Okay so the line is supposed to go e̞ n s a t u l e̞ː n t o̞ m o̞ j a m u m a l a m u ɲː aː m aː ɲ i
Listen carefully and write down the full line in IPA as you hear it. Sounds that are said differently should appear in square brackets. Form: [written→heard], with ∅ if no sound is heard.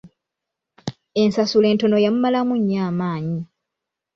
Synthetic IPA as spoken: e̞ n s a [t→s] u l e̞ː n t o̞ [m→n] o̞ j a m u m a l a m u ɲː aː m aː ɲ i